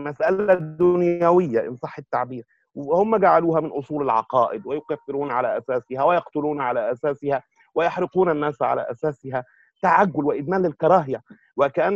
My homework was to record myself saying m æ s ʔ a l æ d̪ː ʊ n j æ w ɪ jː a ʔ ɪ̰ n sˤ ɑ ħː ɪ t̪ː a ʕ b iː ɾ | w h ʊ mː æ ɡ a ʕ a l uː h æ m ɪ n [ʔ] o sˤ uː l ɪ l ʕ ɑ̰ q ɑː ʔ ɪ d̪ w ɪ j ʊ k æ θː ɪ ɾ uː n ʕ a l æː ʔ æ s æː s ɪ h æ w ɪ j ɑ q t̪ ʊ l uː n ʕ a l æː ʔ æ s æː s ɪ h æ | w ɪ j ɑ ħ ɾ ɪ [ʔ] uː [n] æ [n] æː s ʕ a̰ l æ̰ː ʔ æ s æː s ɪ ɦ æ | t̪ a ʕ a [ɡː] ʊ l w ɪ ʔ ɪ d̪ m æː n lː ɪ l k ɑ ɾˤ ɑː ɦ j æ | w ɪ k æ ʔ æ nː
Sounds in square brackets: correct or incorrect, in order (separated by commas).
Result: correct, incorrect, correct, incorrect, correct